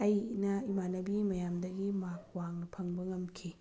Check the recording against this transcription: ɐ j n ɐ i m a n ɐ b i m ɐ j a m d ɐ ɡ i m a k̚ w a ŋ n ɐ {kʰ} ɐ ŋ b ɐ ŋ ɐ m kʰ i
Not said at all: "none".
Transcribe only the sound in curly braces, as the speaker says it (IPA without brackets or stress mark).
pʰ